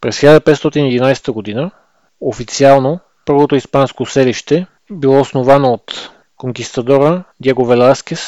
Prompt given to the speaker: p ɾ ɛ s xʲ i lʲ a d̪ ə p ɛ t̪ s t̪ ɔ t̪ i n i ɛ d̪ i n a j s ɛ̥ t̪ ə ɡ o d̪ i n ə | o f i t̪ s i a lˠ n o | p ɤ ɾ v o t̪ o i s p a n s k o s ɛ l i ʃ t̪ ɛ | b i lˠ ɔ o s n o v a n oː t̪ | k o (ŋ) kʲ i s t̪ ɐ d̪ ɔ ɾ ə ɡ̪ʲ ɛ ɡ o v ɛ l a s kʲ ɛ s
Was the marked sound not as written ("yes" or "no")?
no